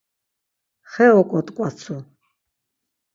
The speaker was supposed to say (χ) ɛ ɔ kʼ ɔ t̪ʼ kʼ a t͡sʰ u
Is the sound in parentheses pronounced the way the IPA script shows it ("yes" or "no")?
yes